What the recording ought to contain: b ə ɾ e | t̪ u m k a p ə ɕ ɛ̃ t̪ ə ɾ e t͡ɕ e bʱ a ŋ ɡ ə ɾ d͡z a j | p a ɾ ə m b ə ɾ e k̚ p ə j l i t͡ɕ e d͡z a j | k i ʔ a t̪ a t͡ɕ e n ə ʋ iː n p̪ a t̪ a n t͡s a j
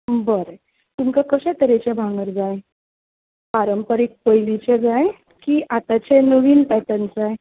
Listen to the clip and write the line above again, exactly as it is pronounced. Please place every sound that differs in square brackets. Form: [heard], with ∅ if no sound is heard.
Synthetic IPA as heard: b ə ɾ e | t̪ u m k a [k] ə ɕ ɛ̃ t̪ ə ɾ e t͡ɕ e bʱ a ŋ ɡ ə ɾ d͡z a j | p a ɾ ə m [p] ə ɾ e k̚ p ə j l i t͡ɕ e d͡z a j | k i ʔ a t̪ a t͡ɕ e n ə ʋ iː n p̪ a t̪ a n t͡s a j